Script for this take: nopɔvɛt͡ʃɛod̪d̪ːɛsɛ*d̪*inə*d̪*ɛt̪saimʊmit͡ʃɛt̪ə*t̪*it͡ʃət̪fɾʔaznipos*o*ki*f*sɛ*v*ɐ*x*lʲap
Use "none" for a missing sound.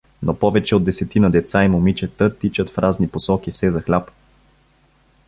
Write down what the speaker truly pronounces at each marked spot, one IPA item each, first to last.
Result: t̪, d̪, t̪, ɔ, f, z, x

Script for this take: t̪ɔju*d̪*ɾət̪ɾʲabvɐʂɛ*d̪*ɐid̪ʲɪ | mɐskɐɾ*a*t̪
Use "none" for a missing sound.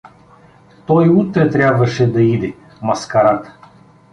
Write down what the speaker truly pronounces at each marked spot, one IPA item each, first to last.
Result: t̪, d̪, a

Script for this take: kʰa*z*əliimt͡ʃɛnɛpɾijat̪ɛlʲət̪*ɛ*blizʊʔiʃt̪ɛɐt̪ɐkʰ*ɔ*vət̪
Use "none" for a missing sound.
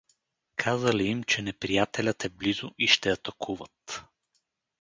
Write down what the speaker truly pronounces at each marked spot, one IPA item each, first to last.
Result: z, ɛ, u

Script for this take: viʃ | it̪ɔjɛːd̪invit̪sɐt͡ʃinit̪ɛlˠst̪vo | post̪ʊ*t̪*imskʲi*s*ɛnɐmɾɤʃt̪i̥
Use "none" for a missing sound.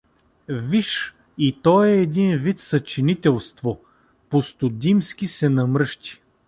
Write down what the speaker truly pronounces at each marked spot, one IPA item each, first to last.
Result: d̪, s

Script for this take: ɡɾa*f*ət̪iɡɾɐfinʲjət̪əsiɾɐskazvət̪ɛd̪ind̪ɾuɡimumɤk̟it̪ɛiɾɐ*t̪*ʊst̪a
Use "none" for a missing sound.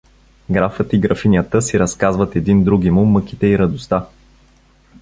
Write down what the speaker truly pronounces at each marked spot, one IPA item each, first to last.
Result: f, d̪

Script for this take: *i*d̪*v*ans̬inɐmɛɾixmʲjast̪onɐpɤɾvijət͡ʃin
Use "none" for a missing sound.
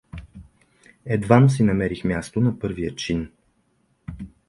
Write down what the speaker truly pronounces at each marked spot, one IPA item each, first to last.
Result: ɛ, v

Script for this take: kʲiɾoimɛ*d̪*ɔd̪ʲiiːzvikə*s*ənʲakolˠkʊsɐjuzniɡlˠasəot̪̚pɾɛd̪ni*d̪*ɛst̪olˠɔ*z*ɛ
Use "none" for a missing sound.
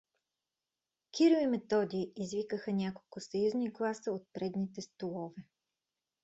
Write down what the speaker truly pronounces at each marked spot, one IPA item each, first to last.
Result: t̪, x, t̪, v

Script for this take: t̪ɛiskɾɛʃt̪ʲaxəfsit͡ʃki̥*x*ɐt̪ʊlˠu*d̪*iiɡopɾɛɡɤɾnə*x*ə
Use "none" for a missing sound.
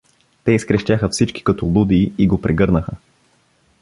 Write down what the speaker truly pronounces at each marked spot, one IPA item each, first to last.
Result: k, d̪, x

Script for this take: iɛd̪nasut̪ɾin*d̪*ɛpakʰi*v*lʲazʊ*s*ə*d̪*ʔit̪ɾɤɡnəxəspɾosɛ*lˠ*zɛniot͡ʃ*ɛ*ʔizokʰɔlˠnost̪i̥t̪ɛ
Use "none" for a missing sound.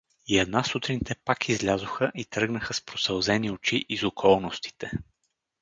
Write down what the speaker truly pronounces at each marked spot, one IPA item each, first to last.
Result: t̪, z, x, none, lˠ, i

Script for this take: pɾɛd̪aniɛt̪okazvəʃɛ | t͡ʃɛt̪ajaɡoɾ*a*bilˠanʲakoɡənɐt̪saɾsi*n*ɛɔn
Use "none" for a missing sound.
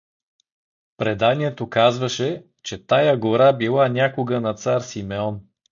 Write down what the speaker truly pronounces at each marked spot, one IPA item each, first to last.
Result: a, m

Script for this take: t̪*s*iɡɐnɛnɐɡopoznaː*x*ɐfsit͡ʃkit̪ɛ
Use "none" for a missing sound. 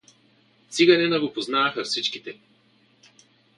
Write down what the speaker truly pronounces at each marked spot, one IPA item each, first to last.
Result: s, x

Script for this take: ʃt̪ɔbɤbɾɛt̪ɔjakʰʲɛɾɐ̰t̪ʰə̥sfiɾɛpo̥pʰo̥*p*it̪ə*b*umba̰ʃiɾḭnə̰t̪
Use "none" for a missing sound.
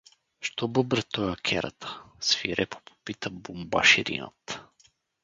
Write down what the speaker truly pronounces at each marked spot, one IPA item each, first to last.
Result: p, b

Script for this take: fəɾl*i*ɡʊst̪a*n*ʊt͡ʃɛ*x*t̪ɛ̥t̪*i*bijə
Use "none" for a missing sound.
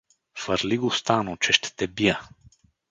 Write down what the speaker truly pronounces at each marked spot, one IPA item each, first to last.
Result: i, n, ʃ, ɛ

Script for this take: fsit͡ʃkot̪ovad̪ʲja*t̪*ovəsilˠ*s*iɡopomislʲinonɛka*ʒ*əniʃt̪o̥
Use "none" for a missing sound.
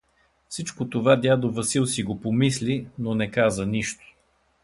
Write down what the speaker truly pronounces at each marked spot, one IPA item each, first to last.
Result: d̪, s, z

